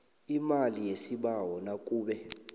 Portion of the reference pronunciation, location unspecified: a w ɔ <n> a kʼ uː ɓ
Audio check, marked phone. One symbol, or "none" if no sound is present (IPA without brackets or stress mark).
n